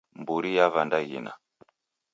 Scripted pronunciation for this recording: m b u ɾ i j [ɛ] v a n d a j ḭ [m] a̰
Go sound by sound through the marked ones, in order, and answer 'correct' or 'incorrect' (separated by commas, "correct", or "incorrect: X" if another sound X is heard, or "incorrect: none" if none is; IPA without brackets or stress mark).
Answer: incorrect: a, incorrect: n